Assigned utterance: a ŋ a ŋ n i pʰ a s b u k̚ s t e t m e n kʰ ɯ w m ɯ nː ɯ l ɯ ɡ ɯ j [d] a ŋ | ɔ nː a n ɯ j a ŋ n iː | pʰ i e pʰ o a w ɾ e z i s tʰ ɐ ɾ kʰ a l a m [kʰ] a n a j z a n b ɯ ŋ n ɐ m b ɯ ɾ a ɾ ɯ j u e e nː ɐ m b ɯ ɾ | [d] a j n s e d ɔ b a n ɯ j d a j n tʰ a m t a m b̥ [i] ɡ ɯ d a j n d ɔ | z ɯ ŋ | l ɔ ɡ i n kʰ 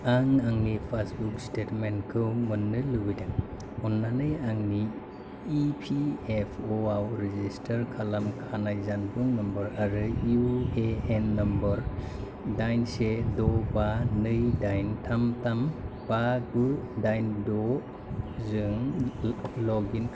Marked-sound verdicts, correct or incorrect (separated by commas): correct, correct, correct, incorrect